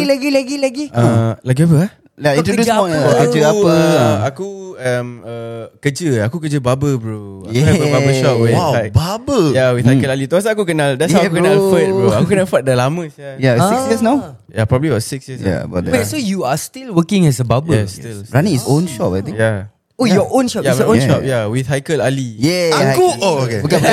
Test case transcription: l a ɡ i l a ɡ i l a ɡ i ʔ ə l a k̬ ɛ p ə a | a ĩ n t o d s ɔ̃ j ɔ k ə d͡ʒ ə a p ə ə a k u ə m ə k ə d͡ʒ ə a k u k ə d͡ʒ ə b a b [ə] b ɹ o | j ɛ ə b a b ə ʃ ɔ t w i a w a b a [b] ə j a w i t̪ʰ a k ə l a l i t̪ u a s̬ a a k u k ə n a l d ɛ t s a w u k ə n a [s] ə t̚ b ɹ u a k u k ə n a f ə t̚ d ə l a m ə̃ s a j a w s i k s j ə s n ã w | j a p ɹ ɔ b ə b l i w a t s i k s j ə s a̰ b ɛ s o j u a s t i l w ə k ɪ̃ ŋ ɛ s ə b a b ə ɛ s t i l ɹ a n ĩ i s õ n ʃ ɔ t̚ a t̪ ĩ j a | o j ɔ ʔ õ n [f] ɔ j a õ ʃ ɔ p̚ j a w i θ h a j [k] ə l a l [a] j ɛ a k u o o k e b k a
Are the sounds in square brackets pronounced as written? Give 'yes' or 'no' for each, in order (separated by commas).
yes, yes, no, no, yes, no